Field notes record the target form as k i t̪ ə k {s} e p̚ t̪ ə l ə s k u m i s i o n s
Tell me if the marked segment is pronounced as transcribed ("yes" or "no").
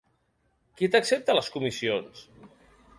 yes